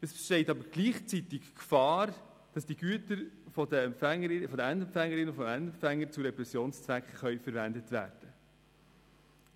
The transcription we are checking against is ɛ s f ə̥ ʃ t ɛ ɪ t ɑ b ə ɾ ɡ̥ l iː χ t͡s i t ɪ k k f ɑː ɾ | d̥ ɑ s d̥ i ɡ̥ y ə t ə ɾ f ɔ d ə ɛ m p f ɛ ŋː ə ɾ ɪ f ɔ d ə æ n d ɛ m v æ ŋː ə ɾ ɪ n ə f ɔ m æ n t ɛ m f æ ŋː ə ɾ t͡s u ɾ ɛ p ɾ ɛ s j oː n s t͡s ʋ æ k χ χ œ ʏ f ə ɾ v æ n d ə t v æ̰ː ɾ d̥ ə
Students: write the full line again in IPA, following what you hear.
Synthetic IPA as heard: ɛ s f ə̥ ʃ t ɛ ɪ t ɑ b ə ɾ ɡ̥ l iː χ t͡s i t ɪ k k f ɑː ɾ | d̥ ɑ s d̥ i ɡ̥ y ə t ə ɾ f ɔ d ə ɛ m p f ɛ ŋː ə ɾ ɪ f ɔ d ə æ n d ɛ m f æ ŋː ə ɾ ɪ n ə f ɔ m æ n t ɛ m f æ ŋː ə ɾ t͡s u ɾ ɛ p ɾ ɛ s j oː n s t͡s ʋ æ k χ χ œ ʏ f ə ɾ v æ n d ə t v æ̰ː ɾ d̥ ə